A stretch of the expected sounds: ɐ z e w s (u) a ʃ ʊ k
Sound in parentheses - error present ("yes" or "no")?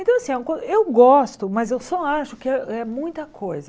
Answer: yes